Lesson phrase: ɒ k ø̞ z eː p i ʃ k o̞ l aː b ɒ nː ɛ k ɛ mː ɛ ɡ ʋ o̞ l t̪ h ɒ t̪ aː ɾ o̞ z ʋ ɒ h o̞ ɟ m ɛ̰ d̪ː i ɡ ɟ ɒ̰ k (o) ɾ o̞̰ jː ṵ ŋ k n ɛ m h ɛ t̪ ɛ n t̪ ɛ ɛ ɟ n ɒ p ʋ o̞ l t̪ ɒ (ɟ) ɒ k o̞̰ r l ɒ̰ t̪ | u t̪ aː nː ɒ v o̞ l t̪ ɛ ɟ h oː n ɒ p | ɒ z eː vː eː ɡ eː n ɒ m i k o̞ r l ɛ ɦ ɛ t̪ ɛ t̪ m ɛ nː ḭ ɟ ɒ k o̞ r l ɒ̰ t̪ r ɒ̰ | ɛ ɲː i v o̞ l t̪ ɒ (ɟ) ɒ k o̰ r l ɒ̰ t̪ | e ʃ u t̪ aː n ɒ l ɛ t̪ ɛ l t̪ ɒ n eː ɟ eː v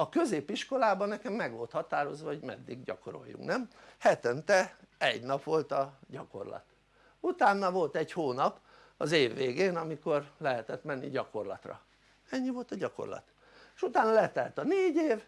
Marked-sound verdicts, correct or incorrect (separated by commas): correct, correct, correct